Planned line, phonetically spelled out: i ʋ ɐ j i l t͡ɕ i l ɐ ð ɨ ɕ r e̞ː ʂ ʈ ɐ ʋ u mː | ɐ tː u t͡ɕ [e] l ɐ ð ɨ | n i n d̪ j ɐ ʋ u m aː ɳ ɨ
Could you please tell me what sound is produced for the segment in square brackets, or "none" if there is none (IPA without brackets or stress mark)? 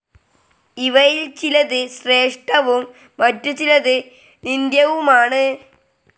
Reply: i